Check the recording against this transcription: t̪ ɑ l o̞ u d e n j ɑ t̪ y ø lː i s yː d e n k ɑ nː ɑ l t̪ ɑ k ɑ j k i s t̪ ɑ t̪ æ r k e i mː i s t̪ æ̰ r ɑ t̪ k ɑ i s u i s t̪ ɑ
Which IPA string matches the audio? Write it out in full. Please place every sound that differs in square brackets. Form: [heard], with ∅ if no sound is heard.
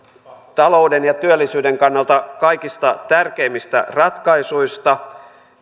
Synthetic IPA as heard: t̪ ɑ l o̞ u d e n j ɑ t̪ y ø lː i s yː d e [ŋ] k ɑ nː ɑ l t̪ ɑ k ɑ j k i s t̪ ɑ t̪ æ r k e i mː i s t̪ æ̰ r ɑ t̪ k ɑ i s u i s t̪ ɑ